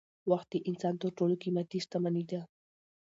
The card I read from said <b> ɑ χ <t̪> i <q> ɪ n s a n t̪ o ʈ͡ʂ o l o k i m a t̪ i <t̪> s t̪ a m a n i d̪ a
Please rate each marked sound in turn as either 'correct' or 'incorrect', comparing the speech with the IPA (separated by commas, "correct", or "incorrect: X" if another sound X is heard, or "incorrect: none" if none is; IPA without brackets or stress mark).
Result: incorrect: w, correct, incorrect: ʔ, incorrect: none